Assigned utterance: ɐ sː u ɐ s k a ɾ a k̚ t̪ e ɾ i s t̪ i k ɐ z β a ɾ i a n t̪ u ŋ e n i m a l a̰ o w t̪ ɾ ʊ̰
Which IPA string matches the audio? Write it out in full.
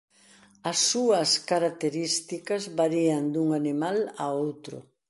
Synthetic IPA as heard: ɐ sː u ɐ s k a ɾ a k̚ t̪ e ɾ i s t̪ i k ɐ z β a ɾ i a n d̪ u ŋ a n i m a l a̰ o w t̪ ɾ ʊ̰